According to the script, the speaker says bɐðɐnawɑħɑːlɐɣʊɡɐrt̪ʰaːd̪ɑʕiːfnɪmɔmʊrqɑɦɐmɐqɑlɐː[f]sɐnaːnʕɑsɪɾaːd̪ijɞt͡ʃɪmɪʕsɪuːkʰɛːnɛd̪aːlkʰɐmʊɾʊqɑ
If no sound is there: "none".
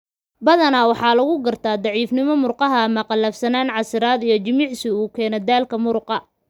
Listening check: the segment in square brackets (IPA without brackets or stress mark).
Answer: f